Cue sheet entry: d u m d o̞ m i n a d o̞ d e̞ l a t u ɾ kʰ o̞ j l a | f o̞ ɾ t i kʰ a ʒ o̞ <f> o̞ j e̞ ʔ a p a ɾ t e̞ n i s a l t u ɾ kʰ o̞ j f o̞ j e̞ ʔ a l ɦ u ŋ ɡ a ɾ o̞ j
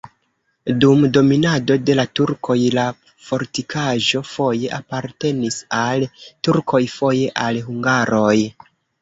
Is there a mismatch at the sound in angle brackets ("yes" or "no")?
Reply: no